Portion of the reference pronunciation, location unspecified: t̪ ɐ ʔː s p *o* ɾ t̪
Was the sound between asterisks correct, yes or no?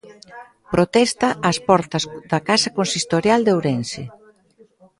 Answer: no